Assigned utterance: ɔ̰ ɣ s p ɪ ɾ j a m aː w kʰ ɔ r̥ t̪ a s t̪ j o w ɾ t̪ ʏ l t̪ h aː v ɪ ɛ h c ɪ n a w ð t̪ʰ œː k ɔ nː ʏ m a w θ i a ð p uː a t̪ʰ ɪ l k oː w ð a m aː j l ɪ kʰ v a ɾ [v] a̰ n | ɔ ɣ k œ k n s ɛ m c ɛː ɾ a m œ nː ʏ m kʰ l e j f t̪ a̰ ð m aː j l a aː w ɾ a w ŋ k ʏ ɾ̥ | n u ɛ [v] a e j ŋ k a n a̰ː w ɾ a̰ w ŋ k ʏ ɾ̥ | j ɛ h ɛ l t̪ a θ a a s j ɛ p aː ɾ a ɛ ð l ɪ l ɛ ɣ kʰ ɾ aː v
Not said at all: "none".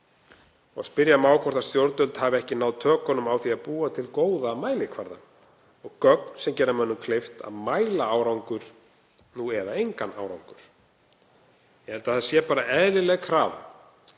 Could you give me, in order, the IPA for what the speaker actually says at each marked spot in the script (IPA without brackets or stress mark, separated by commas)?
ð, ð